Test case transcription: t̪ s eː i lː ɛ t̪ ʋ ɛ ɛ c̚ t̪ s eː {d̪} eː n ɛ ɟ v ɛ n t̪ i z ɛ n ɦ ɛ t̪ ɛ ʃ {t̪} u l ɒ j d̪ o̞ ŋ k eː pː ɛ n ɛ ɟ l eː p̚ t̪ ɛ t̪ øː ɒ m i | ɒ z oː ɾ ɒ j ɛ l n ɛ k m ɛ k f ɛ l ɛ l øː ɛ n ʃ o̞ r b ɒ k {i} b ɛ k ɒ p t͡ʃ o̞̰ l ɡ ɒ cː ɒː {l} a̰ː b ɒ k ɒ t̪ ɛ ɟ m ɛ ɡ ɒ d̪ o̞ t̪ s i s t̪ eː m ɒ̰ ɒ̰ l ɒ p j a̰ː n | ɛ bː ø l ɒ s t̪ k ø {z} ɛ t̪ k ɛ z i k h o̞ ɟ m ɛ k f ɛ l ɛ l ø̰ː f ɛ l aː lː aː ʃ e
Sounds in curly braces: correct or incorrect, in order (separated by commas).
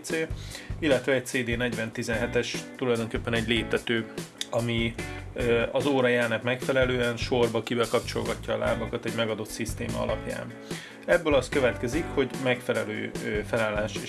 correct, correct, correct, correct, incorrect